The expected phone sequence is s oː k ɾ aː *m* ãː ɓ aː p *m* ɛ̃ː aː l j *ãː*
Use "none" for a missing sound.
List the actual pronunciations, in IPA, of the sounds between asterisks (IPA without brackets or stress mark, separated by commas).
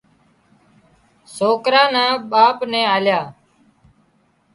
n, n, aː